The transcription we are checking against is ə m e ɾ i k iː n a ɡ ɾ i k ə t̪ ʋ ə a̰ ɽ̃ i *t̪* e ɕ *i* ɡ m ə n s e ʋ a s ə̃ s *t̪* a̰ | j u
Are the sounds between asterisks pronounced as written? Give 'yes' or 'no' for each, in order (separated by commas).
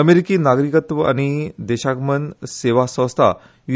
no, no, no